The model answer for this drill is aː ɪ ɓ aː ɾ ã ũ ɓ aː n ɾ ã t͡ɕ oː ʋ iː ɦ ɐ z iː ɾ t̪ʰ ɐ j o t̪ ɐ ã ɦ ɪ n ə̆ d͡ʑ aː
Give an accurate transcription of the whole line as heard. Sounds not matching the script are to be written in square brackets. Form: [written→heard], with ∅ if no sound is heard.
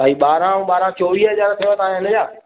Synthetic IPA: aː [ɪ→i] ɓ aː ɾ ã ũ ɓ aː [n→∅] ɾ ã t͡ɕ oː ʋ iː ɦ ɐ z [iː→aː] ɾ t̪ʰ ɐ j o t̪ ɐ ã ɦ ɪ n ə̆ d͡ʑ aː